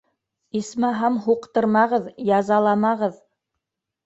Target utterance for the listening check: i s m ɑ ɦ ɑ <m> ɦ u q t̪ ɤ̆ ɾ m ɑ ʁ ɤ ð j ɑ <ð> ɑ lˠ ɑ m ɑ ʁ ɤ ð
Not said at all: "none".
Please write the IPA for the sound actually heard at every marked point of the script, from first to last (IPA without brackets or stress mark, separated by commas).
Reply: m, z